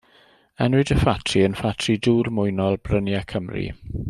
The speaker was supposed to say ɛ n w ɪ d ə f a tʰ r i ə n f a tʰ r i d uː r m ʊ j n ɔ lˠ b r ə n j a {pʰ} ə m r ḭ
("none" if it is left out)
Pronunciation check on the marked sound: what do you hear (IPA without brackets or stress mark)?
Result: kʰ